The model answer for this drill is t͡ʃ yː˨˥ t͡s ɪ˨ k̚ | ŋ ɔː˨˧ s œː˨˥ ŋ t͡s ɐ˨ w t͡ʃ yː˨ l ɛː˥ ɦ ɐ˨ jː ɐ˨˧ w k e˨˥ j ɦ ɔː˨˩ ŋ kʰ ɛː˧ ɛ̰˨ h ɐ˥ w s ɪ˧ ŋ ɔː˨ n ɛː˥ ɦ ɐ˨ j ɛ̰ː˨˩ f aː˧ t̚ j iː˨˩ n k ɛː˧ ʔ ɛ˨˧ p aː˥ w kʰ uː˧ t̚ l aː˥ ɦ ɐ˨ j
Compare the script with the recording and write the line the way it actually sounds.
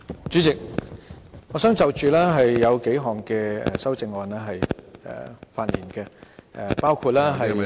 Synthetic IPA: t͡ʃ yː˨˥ t͡s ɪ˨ k̚ | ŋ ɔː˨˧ s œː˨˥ ŋ t͡s ɐ˨ w t͡ʃ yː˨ l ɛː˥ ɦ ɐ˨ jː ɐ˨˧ w k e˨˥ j ɦ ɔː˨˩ ŋ k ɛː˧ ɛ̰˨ s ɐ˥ w t͡s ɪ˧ ŋ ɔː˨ n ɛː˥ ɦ ɐ˨ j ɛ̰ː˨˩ f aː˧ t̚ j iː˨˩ n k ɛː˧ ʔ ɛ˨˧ p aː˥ w kʰ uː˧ t̚ l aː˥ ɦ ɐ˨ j